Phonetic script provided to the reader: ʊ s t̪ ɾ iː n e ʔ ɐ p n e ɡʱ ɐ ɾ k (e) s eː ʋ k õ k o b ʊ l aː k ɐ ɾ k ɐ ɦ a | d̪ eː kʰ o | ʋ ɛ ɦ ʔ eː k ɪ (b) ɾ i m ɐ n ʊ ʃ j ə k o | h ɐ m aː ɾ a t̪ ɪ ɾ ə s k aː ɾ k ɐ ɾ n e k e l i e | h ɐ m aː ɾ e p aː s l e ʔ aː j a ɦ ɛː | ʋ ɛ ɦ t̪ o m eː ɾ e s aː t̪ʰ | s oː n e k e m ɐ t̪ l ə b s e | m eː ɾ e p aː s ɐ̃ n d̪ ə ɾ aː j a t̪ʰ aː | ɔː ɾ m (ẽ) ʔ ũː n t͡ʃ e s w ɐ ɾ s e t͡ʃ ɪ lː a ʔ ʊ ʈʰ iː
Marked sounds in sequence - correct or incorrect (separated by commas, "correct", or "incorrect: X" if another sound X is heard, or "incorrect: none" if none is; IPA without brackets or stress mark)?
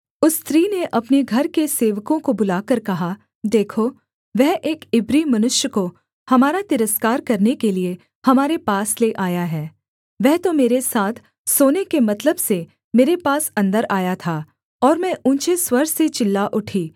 correct, correct, incorrect: ɛ̃